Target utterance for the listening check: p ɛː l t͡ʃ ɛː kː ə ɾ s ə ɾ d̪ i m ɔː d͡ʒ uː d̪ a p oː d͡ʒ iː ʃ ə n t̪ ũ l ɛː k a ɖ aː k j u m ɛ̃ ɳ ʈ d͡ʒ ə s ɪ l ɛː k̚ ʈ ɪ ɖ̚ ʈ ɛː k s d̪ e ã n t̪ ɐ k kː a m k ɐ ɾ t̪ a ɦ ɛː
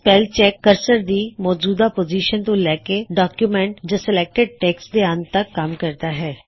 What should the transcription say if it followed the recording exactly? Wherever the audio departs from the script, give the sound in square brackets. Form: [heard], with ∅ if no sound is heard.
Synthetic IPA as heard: p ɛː l t͡ʃ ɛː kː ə ɾ s ə ɾ d̪ i m ɔː d͡ʒ uː d̪ a p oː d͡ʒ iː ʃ ə n t̪ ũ l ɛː k [e] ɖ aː k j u m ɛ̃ ɳ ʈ d͡ʒ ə s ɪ l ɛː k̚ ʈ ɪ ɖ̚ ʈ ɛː k s d̪ e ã n t̪ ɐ k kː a m k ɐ ɾ t̪ a ɦ ɛː